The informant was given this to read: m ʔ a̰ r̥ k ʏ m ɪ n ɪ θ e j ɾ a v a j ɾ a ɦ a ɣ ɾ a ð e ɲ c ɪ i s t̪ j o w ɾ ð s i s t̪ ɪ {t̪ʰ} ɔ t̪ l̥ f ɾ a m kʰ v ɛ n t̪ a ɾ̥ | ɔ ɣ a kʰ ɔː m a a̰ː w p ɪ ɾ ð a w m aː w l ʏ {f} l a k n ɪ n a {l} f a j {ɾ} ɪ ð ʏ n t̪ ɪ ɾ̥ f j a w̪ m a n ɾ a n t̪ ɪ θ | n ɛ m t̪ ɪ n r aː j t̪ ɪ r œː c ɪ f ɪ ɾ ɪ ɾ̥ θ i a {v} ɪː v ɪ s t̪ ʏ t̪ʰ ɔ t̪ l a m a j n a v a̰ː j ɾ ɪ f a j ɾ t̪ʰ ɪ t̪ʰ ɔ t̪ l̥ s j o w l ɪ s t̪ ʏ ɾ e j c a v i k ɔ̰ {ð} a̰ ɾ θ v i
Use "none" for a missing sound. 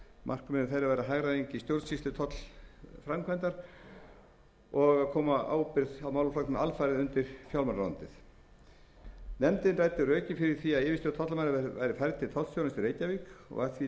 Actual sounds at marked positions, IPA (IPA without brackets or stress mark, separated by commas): t̪ʰ, f, l, ɾ, ð, ɣ